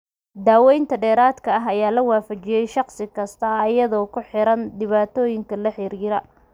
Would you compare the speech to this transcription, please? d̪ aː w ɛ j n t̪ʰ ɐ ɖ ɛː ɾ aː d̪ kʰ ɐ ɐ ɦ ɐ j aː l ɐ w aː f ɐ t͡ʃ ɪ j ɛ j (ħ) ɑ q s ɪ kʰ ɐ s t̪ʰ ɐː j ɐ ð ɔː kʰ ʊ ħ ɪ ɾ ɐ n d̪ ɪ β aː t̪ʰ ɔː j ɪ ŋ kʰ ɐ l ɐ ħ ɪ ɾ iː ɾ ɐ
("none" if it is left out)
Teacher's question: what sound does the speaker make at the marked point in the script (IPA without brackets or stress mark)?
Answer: ʃ